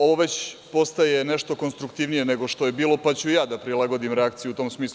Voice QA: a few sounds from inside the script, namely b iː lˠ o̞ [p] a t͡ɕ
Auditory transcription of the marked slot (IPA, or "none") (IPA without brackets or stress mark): p